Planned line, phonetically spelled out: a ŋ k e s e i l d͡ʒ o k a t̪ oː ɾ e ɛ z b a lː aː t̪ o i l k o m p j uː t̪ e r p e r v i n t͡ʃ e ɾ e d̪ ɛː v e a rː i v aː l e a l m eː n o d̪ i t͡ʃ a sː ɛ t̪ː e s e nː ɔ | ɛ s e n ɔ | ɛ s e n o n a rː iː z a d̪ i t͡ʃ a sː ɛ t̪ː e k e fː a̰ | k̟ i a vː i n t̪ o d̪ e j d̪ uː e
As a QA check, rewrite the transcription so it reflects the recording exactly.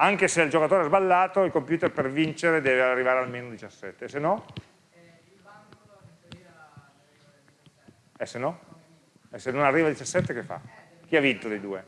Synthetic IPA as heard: a ŋ k e s e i l d͡ʒ o k a t̪ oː ɾ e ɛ z b a lː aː t̪ o i l k o m p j uː t̪ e r p e r v i n t͡ʃ e ɾ e d̪ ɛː v e a rː i v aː ɾ e a l m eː n o d̪ i t͡ʃ a sː ɛ t̪ː e s e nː ɔ | ɛ s e n ɔ | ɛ s e n o n a rː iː v a d̪ i t͡ʃ a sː ɛ t̪ː e k e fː a̰ | k̟ i a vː i n t̪ o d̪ e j d̪ uː e